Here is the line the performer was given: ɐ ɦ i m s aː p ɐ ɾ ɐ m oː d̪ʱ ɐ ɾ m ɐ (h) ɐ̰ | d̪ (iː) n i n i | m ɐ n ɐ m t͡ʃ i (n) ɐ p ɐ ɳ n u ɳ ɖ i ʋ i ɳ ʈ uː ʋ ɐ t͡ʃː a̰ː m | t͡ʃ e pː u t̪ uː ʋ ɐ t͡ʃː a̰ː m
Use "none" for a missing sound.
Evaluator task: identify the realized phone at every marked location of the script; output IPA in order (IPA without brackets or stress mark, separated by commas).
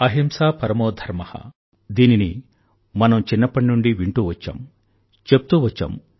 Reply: h, iː, nː